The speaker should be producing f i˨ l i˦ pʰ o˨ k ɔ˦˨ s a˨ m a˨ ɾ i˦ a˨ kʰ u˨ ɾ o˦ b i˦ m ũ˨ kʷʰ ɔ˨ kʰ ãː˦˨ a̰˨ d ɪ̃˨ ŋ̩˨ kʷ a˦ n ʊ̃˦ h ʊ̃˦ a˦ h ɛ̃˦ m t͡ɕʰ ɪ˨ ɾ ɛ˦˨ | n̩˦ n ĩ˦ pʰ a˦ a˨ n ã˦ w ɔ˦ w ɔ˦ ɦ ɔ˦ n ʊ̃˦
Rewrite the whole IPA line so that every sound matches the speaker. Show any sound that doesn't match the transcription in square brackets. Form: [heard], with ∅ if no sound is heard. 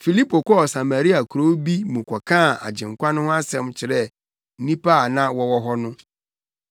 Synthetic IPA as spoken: f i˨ l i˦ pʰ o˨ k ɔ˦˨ s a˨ m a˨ ɾ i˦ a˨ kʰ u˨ ɾ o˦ b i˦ m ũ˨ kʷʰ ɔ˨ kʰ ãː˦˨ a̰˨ [d͡ʑ] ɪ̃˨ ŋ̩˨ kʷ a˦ n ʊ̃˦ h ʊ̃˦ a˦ [s] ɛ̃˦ m t͡ɕʰ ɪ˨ ɾ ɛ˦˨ | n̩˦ n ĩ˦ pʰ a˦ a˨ n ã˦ w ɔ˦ w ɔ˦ ɦ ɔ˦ n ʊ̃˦

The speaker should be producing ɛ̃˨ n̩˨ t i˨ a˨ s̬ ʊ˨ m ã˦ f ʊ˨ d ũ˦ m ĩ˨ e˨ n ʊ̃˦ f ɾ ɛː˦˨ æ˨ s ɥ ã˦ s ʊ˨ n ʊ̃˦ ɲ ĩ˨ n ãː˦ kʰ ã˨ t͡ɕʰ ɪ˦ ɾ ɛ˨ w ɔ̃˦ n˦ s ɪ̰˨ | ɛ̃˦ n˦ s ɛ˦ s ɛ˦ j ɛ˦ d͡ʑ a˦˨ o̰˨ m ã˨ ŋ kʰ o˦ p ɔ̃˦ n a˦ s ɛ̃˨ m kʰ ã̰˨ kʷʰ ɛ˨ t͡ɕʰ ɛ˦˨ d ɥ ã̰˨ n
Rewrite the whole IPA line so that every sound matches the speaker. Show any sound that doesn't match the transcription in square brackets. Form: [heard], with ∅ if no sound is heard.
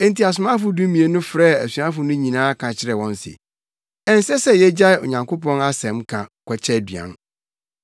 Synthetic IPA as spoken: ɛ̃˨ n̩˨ t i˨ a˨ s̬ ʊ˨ m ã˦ f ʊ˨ d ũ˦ m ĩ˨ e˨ n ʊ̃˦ f ɾ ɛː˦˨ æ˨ s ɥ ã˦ [f] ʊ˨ n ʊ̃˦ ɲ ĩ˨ n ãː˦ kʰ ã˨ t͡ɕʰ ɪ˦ ɾ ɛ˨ w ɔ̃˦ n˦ s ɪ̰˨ | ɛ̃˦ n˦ s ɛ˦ s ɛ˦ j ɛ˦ d͡ʑ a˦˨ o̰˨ [ɲ] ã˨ ŋ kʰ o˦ p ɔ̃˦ n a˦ s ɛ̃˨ m kʰ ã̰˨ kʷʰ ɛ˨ t͡ɕʰ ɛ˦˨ d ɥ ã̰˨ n

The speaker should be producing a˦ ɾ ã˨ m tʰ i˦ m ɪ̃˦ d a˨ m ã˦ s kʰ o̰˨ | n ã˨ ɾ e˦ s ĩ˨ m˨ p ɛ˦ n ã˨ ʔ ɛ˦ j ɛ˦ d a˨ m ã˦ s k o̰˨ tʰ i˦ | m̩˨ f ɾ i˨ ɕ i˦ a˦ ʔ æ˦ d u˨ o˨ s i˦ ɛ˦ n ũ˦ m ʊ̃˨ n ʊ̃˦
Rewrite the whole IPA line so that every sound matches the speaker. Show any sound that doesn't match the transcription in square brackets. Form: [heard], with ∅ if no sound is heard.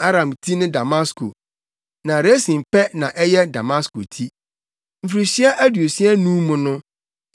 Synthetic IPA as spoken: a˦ ɾ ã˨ m tʰ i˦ [n] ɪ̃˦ d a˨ m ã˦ s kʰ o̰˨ | n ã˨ ɾ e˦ s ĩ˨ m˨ p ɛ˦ n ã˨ ʔ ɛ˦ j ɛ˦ d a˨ m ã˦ s k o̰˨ tʰ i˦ | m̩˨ f ɾ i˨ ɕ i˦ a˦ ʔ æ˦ d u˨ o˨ s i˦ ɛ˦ n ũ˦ m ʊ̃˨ n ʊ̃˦

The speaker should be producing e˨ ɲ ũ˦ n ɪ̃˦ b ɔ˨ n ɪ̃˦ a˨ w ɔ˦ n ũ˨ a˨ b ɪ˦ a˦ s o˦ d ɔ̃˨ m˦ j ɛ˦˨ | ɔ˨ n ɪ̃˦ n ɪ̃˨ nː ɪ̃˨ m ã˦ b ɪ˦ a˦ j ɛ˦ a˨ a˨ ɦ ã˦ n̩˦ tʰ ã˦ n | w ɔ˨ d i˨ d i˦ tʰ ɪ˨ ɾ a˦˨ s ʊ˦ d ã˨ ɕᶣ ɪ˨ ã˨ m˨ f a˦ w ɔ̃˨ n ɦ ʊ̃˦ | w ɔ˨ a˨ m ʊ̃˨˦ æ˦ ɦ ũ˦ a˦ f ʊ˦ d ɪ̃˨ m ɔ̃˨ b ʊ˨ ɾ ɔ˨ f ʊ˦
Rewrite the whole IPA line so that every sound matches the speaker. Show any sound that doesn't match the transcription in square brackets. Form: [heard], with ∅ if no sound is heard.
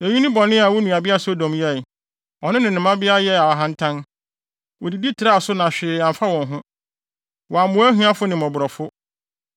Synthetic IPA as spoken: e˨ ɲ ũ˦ n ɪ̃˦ b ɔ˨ n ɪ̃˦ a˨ w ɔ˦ n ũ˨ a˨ b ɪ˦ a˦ s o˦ d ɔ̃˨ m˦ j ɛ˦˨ | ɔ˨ n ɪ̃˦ n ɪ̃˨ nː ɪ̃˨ m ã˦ b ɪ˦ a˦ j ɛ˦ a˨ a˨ ɦ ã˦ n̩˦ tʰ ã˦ n | w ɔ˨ d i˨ d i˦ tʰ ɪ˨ ɾ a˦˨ s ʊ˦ [n] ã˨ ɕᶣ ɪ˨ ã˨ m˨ f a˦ w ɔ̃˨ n ɦ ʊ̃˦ | w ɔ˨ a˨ m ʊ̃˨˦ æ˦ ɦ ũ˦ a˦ f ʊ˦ [n] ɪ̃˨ m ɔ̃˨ b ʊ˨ ɾ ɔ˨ f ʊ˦

